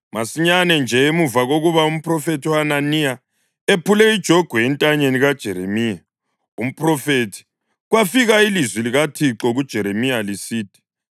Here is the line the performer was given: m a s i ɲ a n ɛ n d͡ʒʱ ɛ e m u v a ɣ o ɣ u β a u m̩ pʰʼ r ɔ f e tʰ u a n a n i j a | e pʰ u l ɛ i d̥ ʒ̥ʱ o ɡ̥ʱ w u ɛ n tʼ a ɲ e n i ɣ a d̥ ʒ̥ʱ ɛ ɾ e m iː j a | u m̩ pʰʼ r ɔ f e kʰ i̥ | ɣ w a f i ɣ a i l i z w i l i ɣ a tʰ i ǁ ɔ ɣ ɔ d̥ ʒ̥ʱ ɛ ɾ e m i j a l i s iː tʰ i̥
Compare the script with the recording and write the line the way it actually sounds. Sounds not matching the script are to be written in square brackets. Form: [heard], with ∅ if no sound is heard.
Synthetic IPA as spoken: m a s i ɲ a n ɛ n d͡ʒʱ ɛ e m u v a ɣ o ɣ u β a u m̩ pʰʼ r ɔ f e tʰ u a n a n i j a | e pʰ u l ɛ i d̥ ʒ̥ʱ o ɡ̥ʱ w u ɛ n tʼ a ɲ e n i ɣ a d̥ ʒ̥ʱ ɛ ɾ e m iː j a | u m̩ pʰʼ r ɔ f e [tʰ] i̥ | ɣ w a f i ɣ a i l i z w i l i ɣ a tʰ i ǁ ɔ ɣ [u] d̥ ʒ̥ʱ ɛ ɾ e m i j a l i s iː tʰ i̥

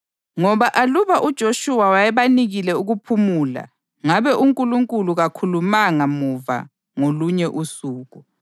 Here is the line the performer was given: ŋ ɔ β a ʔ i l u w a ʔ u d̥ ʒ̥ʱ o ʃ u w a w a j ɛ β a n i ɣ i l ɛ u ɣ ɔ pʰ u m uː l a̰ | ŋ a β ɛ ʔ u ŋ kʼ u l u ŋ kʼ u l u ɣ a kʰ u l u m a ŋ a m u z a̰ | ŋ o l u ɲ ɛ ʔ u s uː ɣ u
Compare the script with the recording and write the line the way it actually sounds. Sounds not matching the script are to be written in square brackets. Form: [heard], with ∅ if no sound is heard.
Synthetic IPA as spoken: ŋ ɔ β a ʔ [a] l u [β] a ʔ u d̥ ʒ̥ʱ o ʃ u w a w a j ɛ β a n i ɣ i l ɛ u ɣ [u] pʰ u m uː l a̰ | ŋ a β ɛ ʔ u ŋ kʼ u l u ŋ kʼ u l u ɣ a kʰ u l u m a ŋ a m u [v] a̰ | ŋ o l u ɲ ɛ ʔ u s uː ɣ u

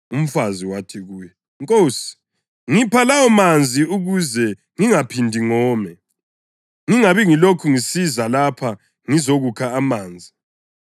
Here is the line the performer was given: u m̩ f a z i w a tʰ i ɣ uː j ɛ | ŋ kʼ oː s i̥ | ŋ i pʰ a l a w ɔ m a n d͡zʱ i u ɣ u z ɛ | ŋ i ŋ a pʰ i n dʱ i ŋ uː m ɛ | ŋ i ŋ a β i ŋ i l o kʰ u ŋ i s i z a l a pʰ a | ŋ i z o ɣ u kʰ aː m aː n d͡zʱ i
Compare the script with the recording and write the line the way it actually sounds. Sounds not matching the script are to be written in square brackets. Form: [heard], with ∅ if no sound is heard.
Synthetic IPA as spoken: u m̩ f a z i w a tʰ i ɣ uː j ɛ | ŋ kʼ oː s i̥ | ŋ i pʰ a l a w ɔ m a n d͡zʱ i u ɣ u z ɛ | ŋ i ŋ a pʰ i n dʱ i ŋ [ɔː] m ɛ | ŋ i ŋ a β i ŋ i l o kʰ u ŋ i s i z a l a pʰ a | ŋ i z o ɣ u kʰ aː m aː n d͡zʱ i

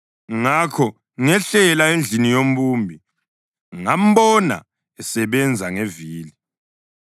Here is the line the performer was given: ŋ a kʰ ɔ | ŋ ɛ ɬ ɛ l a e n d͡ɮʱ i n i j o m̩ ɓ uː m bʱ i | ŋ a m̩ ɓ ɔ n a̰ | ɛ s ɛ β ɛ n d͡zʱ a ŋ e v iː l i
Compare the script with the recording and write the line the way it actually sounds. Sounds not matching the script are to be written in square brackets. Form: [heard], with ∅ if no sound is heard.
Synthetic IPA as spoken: ŋ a kʰ ɔ | ŋ ɛ ɬ ɛ l a e n d͡ɮʱ i n i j o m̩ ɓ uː m bʱ i | ŋ a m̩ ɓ ɔ n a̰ | ɛ s ɛ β ɛ n d͡zʱ a ŋ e v iː l i

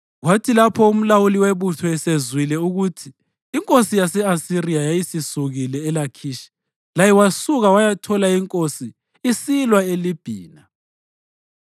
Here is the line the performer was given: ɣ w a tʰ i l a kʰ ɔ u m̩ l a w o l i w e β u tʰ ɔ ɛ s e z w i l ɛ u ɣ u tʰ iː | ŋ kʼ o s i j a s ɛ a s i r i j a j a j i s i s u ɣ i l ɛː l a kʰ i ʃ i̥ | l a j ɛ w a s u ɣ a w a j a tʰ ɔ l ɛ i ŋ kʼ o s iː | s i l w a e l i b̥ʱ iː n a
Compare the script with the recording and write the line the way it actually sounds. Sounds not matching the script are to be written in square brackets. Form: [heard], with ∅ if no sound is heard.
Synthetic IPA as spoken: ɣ w a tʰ i l a [pʰ] ɔ u m̩ l a w [u] l i w e β u tʰ ɔ ɛ s e z w i l ɛ u ɣ u tʰ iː | ŋ kʼ o s i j a s ɛ a s i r i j a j a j i s i s u ɣ i l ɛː l a kʰ i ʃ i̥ | l a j ɛ w a s u ɣ a w a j a tʰ ɔ l [a] i ŋ kʼ o s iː | s i l w a e l i b̥ʱ iː n a

